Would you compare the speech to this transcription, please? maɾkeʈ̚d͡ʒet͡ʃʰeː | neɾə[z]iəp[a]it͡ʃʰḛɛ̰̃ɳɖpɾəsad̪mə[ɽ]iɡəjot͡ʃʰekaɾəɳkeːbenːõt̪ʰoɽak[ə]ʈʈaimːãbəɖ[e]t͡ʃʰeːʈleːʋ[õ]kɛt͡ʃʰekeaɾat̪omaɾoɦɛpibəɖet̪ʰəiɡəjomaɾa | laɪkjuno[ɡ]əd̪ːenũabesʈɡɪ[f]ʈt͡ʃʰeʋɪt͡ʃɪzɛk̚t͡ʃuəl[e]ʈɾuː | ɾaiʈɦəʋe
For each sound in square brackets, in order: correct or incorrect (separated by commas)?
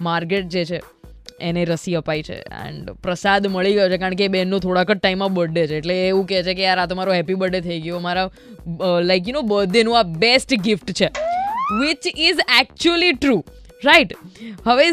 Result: incorrect, correct, incorrect, correct, correct, incorrect, incorrect, correct, incorrect